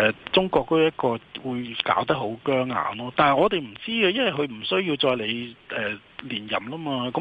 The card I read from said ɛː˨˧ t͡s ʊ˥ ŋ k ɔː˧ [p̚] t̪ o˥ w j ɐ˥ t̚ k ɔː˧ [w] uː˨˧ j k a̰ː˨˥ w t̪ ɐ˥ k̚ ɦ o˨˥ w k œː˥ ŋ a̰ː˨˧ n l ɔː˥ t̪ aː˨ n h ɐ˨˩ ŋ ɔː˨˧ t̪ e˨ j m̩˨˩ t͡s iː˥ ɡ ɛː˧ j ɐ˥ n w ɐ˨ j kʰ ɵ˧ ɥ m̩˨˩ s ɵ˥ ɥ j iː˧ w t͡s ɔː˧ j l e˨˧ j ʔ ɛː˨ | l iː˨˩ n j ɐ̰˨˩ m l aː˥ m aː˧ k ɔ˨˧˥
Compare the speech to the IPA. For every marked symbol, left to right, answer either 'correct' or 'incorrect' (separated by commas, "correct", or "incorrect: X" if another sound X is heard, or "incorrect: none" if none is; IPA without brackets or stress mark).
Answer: incorrect: k̚, correct